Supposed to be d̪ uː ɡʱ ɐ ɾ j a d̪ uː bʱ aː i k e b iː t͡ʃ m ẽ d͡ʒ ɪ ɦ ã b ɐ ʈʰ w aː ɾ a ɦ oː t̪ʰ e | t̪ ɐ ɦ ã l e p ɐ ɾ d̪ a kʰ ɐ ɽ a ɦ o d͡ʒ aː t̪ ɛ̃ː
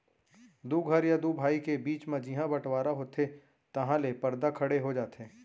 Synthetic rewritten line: d̪ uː ɡʱ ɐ ɾ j a d̪ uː bʱ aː i k e b iː t͡ʃ m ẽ d͡ʒ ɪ ɦ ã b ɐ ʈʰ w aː ɾ a ɦ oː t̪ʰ e | t̪ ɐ ɦ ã l e p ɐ ɾ d̪ a kʰ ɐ ɽ e ɦ o d͡ʒ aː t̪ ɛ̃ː